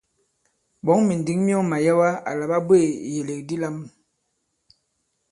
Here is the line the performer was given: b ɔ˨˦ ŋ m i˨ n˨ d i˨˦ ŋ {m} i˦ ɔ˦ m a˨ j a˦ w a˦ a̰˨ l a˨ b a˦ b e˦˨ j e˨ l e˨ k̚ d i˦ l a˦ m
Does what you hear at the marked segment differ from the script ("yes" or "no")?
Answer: no